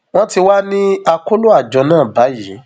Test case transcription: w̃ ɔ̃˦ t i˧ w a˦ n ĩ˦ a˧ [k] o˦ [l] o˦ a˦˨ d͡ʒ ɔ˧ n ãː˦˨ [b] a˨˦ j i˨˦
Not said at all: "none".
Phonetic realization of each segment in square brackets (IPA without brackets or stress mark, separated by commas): k, l, b